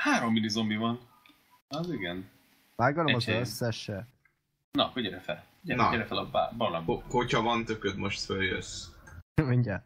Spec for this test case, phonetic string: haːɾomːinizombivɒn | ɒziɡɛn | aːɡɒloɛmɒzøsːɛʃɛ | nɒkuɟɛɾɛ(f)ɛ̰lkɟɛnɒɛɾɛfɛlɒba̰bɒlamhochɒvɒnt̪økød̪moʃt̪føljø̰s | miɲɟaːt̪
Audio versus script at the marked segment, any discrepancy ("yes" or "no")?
no